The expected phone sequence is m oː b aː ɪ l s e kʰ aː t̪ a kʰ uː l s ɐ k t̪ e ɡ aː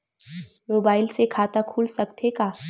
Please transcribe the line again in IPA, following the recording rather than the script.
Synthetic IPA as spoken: m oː b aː ɪ l s e kʰ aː t̪ a kʰ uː l s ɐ k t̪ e k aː